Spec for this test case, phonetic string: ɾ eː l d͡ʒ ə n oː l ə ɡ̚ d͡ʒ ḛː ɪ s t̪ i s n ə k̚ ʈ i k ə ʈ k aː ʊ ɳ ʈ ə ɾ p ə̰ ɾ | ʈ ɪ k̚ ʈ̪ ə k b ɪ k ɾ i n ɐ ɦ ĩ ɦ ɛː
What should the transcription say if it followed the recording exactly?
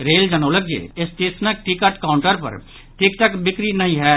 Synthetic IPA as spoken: ɾ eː l d͡ʒ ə n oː l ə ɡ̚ d͡ʒ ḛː ɪ s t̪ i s n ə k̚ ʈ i k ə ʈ k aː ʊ ɳ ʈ ə ɾ p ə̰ ɾ | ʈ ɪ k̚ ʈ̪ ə k b ɪ k ɾ i n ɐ ɦ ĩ ɦ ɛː